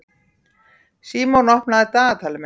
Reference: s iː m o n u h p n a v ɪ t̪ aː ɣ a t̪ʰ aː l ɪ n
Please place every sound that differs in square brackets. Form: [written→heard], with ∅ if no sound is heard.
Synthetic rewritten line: s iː m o n [u→ɔ] h p n a [v→ð] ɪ t̪ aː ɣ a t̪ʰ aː l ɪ [n→m]